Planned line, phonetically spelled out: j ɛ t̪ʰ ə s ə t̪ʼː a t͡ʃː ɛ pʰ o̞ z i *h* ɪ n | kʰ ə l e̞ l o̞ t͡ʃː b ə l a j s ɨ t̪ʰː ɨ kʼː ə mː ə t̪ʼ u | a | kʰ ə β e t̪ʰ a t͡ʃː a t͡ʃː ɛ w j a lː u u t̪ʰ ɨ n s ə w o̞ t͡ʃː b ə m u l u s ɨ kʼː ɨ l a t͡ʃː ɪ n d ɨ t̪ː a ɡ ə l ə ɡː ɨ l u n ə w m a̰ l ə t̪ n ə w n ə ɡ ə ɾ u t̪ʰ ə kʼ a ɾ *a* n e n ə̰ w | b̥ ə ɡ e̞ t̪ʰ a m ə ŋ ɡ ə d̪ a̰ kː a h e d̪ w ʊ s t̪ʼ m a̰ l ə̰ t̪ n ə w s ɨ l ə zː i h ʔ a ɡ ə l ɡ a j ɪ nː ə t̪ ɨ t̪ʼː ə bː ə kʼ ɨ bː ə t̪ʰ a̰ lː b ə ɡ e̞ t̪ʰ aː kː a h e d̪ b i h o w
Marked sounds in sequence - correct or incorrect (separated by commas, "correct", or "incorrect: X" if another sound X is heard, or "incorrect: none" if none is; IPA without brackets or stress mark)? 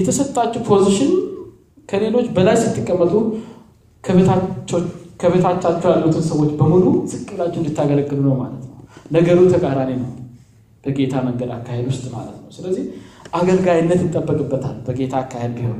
incorrect: ʃ, correct